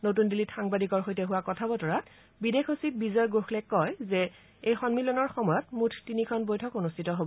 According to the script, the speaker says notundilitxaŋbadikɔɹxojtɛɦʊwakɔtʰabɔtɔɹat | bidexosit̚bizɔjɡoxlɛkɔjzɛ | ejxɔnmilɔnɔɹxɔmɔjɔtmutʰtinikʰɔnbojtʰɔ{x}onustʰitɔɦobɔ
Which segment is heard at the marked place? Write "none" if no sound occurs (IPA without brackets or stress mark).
k